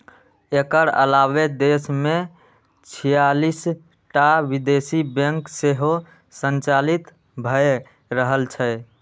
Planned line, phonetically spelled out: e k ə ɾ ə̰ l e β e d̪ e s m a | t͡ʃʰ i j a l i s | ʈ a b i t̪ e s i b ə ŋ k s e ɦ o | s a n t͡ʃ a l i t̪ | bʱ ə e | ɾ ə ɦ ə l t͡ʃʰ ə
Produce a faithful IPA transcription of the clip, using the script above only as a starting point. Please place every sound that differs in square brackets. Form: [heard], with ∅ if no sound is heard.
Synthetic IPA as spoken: e k ə ɾ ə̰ l [a] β e d̪ e s m [e] | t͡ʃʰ i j a l i s | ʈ a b i [d̪] e s i b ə ŋ k s e ɦ o | s [ə] n t͡ʃ a l i t̪ | bʱ ə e | ɾ ə ɦ ə l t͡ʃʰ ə